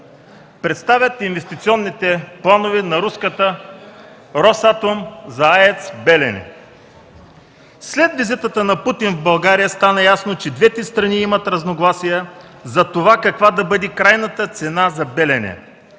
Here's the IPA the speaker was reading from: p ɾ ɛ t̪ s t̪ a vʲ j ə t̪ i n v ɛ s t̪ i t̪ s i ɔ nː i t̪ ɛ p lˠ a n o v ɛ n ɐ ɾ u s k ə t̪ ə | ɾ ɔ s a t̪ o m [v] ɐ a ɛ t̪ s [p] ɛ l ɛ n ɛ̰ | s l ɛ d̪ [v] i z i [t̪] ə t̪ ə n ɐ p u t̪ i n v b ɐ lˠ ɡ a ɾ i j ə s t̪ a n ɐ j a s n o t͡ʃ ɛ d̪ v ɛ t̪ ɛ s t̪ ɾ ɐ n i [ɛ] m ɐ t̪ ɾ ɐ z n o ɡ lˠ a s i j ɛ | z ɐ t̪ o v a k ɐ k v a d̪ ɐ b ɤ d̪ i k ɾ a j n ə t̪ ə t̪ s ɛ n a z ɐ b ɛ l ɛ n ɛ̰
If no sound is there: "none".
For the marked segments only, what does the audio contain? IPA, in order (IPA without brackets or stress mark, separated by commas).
z, b, v, t̪, i